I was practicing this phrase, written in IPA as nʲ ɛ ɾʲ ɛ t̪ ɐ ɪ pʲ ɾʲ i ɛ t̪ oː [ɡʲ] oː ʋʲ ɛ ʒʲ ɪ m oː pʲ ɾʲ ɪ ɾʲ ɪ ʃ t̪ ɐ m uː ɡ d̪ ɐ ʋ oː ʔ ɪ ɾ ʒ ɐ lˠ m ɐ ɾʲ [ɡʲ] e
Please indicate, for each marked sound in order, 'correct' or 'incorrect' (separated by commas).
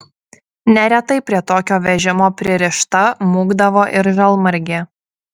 incorrect, correct